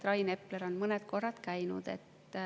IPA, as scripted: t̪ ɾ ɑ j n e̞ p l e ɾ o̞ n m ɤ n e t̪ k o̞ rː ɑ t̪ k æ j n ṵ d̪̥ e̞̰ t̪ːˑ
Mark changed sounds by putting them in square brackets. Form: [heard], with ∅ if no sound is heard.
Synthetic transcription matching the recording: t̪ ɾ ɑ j n e̞ p l e ɾ o̞ n m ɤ n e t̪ k o̞ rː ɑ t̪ k æ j n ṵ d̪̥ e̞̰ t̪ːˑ